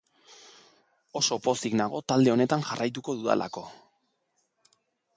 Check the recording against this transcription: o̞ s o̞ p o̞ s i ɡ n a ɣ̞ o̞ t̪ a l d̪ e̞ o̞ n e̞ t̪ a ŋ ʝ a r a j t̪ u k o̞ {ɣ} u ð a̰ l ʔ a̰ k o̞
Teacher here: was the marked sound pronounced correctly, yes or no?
no